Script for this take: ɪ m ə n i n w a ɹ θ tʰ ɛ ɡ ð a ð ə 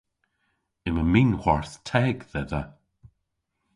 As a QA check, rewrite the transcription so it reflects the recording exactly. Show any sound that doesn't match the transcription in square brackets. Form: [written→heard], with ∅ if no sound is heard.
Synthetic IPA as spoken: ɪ m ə [n→m] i n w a ɹ θ tʰ ɛ ɡ ð [a→ɛ] ð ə